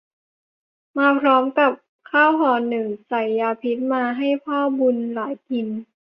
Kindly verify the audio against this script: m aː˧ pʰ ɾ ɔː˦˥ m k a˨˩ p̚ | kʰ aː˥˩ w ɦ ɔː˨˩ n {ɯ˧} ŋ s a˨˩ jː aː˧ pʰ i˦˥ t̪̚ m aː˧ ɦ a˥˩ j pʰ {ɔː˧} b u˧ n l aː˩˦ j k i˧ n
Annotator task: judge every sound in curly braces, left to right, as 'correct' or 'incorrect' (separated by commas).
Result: incorrect, incorrect